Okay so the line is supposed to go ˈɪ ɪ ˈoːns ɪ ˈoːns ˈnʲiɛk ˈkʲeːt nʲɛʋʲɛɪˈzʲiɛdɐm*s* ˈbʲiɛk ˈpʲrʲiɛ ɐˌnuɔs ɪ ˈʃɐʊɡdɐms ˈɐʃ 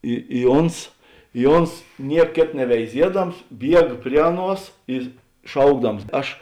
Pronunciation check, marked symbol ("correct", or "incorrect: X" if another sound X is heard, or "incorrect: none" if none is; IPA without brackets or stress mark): correct